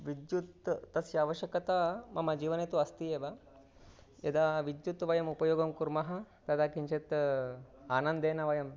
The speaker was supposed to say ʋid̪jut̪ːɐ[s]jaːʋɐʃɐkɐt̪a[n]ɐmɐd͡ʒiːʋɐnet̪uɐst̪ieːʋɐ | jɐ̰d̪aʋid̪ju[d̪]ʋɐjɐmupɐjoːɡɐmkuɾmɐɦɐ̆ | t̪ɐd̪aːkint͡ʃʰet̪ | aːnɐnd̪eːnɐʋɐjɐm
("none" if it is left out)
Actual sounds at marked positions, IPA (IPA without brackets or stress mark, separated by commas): s, m, t̪